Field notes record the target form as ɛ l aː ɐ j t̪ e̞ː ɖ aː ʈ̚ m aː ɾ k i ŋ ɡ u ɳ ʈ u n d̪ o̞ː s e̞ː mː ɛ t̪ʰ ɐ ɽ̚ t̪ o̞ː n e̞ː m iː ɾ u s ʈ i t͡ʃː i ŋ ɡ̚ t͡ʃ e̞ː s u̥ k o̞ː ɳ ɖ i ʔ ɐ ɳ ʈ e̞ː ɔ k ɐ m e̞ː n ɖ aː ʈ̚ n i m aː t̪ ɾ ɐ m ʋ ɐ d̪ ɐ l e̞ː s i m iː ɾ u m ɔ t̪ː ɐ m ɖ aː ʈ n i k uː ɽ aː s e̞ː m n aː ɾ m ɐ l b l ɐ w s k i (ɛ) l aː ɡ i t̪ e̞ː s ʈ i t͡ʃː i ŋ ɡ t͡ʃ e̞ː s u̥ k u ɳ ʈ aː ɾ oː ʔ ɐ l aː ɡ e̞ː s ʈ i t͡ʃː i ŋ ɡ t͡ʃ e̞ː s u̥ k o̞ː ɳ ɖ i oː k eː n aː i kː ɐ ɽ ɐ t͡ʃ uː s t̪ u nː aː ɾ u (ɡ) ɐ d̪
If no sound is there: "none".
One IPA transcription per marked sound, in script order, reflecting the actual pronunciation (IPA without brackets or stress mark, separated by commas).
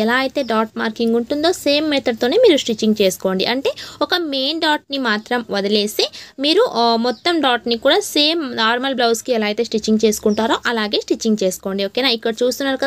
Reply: ɛ, k